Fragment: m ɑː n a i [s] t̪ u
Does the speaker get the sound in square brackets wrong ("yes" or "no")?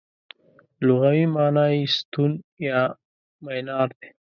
no